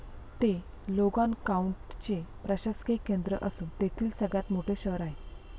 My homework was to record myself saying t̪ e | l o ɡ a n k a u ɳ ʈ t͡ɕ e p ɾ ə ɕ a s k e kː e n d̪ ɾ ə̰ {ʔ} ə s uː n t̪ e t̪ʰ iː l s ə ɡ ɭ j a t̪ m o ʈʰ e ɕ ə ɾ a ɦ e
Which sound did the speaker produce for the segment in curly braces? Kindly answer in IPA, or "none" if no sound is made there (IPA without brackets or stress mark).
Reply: ʔ